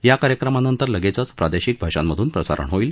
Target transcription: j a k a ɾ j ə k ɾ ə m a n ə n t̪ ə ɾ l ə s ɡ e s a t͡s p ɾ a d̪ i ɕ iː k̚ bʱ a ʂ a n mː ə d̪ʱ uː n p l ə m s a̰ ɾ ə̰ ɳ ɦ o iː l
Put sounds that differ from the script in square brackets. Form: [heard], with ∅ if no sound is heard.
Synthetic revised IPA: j a k a ɾ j ə k ɾ ə m a n ə n t̪ ə ɾ l ə [∅] ɡ e [t͡s] a t͡s p ɾ a d̪ [e] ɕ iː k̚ bʱ a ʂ a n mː ə d̪ʱ uː n p [ɾ] ə [∅] s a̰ ɾ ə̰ ɳ ɦ o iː l